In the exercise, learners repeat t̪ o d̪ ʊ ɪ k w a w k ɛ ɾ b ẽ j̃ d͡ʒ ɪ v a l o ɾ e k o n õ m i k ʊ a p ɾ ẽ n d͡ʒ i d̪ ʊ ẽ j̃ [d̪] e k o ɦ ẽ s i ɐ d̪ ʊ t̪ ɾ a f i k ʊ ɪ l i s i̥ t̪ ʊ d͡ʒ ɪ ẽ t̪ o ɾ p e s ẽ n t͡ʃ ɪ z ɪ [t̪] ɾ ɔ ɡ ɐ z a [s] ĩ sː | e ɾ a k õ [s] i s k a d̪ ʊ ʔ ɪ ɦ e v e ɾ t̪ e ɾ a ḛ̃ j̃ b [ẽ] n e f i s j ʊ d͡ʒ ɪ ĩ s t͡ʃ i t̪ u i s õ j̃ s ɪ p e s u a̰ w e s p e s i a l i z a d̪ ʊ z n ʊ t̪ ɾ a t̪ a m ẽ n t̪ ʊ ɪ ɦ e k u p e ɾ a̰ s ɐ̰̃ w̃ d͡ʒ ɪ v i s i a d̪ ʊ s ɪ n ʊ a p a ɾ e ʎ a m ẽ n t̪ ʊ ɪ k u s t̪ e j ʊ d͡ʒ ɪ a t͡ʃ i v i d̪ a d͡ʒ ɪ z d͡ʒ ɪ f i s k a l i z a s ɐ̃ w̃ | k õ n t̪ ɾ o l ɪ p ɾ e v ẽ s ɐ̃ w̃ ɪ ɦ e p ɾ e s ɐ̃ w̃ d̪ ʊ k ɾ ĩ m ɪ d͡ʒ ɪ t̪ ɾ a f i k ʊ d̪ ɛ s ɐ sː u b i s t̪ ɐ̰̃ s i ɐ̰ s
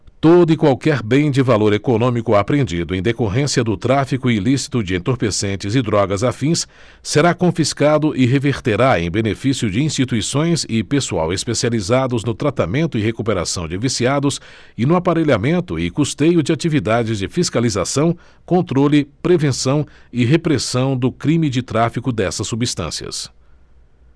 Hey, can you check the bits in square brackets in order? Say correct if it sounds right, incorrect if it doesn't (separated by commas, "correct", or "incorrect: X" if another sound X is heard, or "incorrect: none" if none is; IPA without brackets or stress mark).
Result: correct, incorrect: d̪, incorrect: f, incorrect: f, incorrect: e